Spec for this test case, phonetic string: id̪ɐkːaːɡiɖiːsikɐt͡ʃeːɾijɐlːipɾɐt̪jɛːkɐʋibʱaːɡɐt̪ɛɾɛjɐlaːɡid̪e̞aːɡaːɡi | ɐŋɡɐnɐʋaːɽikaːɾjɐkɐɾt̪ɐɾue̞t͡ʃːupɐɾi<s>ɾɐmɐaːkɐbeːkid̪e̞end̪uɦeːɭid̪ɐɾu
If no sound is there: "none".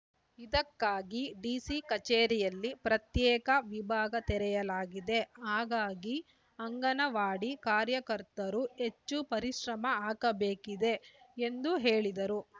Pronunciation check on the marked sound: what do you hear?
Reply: ʃ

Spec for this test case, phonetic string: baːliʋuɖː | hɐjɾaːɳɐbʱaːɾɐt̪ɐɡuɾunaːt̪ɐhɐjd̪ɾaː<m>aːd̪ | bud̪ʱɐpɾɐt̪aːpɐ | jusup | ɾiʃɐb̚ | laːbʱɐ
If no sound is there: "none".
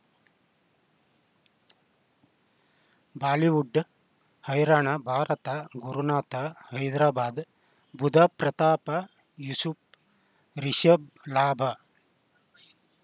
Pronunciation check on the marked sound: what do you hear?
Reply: b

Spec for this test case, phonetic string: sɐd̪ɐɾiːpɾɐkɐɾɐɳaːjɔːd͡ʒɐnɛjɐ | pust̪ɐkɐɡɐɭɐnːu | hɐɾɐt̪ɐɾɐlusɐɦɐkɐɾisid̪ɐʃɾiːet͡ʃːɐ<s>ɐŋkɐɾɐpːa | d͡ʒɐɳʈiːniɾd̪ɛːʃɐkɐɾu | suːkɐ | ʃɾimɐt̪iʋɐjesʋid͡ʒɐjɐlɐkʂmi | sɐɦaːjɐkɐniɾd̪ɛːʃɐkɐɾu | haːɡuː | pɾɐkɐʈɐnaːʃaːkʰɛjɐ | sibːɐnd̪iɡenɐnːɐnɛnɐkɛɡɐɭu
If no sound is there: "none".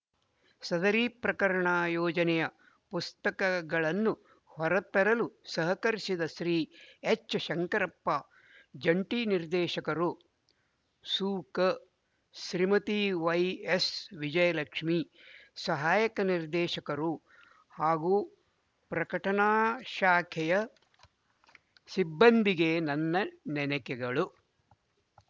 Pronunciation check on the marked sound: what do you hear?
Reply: ʃ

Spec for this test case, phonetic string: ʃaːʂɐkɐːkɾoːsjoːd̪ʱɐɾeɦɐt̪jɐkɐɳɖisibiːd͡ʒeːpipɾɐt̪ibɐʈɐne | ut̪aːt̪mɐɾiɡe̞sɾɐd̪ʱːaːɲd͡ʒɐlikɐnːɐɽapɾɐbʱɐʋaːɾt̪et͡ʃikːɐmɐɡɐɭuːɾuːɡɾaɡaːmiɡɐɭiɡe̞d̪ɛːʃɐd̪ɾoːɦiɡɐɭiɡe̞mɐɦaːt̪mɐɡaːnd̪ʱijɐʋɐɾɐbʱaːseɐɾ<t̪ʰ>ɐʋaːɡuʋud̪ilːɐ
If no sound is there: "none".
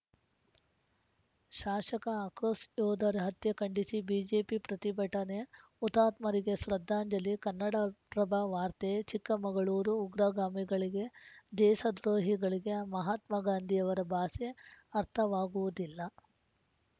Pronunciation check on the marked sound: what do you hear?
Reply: t̪ʰ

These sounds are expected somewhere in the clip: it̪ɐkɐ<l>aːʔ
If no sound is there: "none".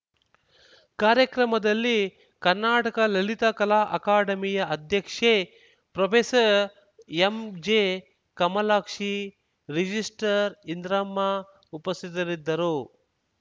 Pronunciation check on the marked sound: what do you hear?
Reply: l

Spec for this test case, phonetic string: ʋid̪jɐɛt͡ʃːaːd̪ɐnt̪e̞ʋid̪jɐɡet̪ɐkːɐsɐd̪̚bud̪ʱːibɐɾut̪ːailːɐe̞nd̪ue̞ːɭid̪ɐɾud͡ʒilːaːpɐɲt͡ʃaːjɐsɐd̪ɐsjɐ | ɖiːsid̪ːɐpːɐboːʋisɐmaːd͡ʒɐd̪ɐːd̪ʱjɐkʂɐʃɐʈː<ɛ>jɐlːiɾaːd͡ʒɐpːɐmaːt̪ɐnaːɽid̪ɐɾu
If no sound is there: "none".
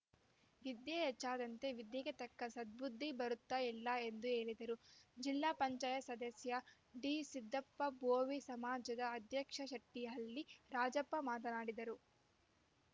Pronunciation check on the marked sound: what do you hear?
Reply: i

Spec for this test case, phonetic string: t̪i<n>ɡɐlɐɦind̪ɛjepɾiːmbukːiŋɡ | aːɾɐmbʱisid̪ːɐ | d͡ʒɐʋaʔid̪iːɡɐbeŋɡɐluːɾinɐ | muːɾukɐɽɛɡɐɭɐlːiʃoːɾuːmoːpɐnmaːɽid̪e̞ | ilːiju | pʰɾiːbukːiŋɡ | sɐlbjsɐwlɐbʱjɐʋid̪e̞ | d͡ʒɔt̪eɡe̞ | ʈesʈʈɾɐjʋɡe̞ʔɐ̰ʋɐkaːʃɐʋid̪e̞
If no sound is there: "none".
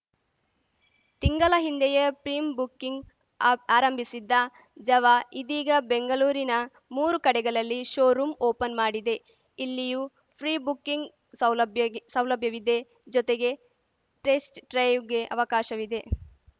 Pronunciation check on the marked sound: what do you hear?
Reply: ŋ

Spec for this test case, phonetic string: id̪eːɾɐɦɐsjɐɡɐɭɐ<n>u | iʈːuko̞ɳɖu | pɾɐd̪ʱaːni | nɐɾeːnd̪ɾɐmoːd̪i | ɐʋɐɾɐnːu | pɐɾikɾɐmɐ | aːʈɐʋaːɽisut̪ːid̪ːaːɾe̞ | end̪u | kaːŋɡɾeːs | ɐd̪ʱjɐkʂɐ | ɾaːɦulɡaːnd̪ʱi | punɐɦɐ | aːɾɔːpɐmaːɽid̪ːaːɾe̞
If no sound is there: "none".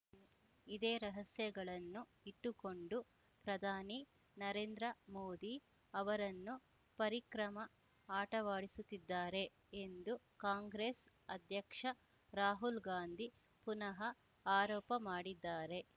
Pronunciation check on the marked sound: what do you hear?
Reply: nː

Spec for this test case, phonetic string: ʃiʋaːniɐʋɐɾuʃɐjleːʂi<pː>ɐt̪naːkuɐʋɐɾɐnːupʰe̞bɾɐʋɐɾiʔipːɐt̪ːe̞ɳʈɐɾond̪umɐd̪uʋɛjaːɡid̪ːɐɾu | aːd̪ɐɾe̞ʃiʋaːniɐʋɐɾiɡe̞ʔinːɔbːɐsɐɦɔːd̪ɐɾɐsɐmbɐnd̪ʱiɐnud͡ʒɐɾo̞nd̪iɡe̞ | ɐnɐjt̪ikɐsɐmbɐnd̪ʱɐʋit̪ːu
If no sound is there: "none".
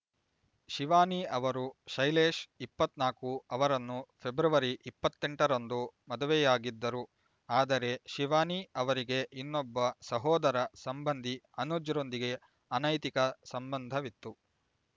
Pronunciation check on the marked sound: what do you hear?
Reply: pː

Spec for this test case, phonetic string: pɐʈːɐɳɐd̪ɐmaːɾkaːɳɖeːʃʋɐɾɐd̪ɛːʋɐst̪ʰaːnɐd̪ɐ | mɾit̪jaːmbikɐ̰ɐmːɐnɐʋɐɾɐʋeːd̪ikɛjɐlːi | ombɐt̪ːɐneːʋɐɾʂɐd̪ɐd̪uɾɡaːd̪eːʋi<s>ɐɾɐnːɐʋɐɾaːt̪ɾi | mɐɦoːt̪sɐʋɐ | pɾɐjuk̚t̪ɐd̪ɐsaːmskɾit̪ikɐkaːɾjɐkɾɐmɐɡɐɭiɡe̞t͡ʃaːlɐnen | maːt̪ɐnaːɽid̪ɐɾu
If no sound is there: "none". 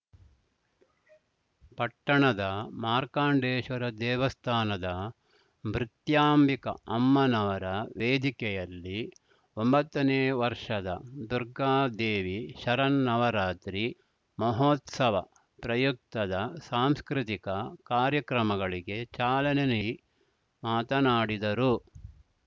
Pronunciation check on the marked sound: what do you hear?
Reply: ʃ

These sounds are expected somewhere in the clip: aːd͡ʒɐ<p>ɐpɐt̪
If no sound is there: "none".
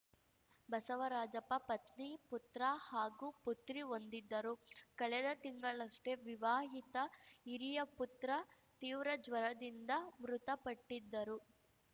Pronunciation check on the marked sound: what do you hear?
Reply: p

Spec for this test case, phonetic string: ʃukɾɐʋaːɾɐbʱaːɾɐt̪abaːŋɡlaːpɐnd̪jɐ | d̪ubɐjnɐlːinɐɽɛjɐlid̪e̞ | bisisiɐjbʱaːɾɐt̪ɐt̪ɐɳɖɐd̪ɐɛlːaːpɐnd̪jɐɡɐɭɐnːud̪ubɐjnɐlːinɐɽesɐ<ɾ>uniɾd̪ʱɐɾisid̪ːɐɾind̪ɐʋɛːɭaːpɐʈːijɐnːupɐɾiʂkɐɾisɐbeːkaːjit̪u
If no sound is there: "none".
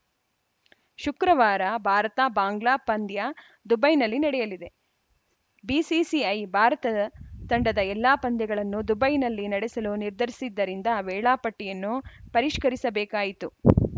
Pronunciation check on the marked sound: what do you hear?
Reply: l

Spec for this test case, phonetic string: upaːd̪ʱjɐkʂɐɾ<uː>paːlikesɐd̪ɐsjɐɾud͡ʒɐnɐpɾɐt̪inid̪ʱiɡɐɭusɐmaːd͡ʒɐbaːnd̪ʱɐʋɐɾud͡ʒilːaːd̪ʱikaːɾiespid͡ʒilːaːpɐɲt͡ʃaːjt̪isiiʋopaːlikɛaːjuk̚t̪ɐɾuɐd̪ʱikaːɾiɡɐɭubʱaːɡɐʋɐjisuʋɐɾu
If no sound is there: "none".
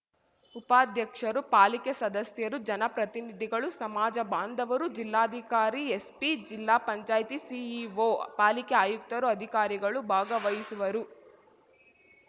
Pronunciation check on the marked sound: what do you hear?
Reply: u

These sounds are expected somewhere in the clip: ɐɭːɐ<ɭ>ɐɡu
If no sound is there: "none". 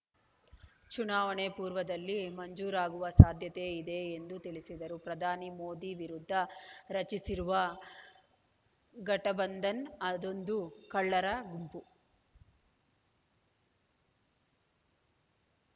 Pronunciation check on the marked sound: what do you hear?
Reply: ɾ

